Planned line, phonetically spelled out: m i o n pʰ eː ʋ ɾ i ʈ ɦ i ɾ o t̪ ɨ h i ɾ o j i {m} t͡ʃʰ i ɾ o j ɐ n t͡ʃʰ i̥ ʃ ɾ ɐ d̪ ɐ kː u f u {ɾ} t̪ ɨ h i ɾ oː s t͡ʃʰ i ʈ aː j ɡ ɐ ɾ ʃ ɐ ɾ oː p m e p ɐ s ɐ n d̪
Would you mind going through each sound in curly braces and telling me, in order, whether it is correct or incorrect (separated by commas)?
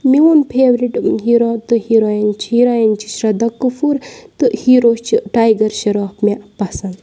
incorrect, correct